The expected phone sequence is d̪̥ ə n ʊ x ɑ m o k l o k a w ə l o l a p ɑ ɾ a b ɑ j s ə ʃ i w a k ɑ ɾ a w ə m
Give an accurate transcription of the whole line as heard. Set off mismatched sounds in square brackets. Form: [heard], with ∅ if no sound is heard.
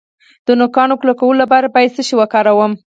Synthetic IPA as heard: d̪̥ ə n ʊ [k] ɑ [n] o k l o k a w ə l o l a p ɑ ɾ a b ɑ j s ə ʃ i w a k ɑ ɾ a w ə m